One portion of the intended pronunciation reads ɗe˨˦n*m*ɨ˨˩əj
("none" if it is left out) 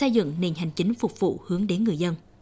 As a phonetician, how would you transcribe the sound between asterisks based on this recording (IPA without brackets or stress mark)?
ŋ